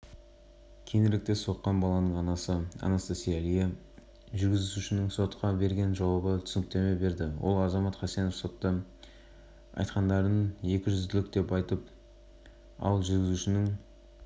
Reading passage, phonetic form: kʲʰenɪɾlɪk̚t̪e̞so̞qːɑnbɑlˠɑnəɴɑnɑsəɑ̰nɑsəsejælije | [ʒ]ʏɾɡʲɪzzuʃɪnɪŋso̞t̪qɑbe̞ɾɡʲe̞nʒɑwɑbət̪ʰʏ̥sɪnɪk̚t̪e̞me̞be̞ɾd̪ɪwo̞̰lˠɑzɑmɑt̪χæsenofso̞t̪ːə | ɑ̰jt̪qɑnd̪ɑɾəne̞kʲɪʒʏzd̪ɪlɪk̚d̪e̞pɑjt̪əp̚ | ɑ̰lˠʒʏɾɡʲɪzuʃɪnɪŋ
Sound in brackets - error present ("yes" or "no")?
no